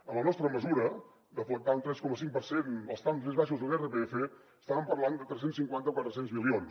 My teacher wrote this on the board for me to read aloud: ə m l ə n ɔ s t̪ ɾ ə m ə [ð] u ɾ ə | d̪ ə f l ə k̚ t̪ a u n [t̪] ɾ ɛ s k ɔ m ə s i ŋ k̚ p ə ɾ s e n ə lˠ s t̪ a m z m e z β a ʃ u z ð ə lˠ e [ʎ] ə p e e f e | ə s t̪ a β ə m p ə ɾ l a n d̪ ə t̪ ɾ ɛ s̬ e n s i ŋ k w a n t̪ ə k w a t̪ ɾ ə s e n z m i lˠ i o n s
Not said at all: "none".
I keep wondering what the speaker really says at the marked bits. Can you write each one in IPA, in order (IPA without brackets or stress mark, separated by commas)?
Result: z, t̪, r